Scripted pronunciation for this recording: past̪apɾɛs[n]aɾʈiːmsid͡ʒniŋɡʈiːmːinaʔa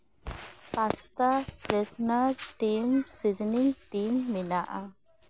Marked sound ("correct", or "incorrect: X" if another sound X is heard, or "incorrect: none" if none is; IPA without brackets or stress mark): correct